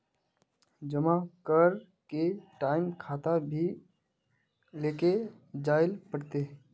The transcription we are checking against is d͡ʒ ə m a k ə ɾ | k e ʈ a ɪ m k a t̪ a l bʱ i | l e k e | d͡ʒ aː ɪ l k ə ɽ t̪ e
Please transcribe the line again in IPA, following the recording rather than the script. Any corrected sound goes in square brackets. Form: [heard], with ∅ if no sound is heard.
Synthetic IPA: d͡ʒ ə m a k ə ɾ | k e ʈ a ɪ m [kʰ] a t̪ a [∅] bʱ i | l e k e | d͡ʒ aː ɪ l [p] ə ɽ t̪ e